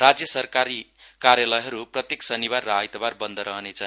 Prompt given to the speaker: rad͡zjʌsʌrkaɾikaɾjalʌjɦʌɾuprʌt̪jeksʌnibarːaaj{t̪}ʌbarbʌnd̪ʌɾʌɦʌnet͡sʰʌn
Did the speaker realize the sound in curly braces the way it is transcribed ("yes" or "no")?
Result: yes